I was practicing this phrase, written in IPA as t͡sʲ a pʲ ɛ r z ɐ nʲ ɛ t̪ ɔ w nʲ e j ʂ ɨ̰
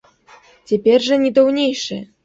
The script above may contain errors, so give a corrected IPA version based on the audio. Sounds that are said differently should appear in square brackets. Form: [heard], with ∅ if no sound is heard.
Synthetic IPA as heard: t͡sʲ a pʲ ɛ r [ʐ] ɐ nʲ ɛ [d̪] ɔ w nʲ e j ʂ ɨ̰